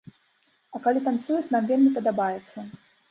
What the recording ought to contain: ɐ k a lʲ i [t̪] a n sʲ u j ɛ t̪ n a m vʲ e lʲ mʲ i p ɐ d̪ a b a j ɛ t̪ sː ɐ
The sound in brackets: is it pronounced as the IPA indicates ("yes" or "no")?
yes